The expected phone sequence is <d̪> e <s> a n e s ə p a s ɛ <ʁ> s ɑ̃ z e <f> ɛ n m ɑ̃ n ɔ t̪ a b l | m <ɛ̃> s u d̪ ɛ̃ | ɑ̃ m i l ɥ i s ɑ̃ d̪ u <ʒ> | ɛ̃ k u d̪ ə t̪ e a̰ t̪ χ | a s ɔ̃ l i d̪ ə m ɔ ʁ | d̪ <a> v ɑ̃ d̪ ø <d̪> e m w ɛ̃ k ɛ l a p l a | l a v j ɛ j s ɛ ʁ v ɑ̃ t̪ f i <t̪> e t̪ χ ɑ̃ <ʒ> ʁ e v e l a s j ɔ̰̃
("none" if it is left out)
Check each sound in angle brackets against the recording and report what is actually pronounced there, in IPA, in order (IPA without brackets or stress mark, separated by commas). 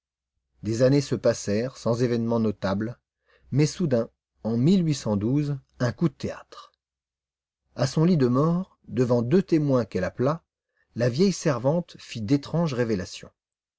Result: d̪, z, ʁ, v, ɛ, z, ə, t̪, d̪, ʒ